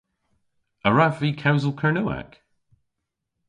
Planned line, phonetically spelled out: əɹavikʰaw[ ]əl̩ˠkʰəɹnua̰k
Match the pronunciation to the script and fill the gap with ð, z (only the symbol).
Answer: z